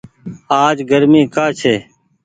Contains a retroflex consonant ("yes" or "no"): no